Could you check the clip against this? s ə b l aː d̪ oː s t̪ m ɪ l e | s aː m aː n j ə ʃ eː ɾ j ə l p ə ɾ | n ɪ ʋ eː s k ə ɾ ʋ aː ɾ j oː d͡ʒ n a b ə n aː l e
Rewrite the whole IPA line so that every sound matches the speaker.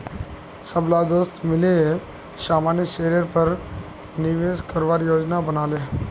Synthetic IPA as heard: s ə b l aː d̪ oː s t̪ m ɪ l e | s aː m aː n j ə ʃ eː ɾ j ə ɾ p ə ɾ | n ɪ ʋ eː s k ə ɾ ʋ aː ɾ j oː d͡ʒ n a b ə n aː l e